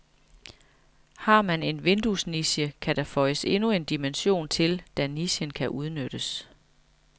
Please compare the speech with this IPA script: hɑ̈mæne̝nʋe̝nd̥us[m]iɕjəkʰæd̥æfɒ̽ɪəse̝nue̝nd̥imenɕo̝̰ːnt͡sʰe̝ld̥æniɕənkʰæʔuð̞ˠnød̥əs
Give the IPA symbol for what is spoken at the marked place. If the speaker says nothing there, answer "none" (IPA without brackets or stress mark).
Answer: n